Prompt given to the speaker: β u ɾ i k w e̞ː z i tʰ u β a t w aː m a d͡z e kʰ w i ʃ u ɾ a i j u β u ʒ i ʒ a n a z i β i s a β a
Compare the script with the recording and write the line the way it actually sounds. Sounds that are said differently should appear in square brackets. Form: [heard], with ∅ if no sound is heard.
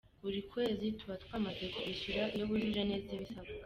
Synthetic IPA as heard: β u ɾ i k w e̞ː z i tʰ u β a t w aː m a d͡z e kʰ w i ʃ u ɾ a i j [o] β u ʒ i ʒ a n [e] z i β i s a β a